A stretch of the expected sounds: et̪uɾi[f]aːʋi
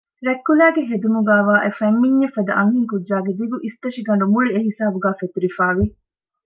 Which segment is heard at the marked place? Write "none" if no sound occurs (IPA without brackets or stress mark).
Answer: f